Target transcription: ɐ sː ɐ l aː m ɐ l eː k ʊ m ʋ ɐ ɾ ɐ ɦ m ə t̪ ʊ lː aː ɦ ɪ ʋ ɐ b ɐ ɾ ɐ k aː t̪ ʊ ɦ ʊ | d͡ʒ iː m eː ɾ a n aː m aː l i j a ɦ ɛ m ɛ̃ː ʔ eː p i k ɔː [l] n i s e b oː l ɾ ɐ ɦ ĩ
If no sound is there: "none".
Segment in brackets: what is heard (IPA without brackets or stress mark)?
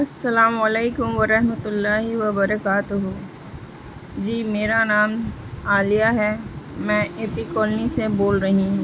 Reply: l